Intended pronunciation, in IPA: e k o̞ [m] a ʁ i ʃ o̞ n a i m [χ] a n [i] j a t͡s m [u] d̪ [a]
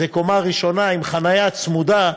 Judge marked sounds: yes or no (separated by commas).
yes, yes, no, yes, yes